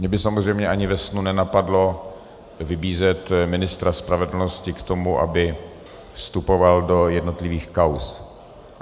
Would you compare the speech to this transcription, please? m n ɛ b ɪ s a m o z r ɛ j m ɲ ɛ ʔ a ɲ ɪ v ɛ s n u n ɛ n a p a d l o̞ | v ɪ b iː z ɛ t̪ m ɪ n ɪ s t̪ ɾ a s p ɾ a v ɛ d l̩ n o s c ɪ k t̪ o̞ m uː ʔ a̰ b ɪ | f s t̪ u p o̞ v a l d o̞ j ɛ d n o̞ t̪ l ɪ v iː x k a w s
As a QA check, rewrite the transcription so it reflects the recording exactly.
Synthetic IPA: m ɲ ɛ b ɪ s a m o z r ɛ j m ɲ ɛ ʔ a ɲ ɪ v ɛ s n u n ɛ n a p a d l o̞ | v ɪ b iː z ɛ t̪ m ɪ n ɪ s t̪ ɾ a s p ɾ a v ɛ d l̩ n o s c ɪ k t̪ o̞ m u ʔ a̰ b ɪ | f s t̪ u p o̞ v a l d o̞ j ɛ d n o̞ t̪ l ɪ v iː x k a w s